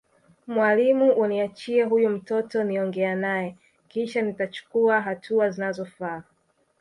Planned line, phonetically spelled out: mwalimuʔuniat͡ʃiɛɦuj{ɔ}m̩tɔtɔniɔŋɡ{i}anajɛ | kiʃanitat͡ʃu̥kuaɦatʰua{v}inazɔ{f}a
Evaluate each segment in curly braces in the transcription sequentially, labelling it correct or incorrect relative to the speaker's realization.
incorrect, incorrect, incorrect, correct

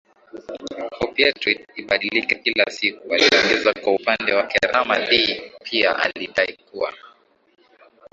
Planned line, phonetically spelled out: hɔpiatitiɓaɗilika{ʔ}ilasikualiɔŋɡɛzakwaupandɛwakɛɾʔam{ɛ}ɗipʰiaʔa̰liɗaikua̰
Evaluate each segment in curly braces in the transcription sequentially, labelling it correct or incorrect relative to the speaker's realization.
incorrect, incorrect

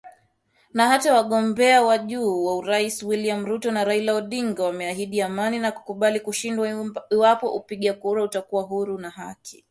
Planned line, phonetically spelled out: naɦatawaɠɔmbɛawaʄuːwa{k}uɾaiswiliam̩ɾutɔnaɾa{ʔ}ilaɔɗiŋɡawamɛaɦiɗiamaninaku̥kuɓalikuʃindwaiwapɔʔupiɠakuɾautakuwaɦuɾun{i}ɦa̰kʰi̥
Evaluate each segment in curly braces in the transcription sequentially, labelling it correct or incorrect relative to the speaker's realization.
incorrect, incorrect, incorrect

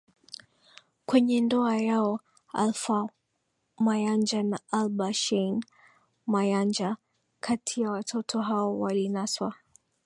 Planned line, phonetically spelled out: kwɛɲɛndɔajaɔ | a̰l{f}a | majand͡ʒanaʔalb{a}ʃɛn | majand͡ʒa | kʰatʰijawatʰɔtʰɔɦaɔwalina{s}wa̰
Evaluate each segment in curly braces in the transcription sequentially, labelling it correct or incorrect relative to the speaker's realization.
correct, correct, correct

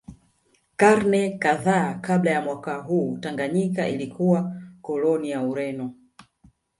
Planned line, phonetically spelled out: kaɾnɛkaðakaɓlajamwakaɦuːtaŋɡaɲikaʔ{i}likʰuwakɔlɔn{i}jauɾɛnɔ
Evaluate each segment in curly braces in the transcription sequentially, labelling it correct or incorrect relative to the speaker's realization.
correct, correct

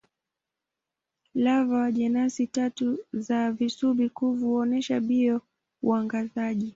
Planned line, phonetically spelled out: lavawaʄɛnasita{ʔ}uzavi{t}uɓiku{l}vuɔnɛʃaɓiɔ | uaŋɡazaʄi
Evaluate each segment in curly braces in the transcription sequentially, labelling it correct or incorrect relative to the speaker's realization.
incorrect, incorrect, incorrect

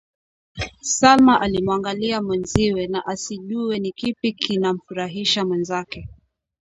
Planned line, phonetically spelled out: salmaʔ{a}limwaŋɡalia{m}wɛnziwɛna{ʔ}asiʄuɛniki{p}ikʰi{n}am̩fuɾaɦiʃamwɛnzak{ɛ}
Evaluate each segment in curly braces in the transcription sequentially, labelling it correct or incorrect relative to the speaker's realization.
correct, correct, correct, correct, correct, correct

